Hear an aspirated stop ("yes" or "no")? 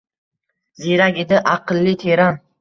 yes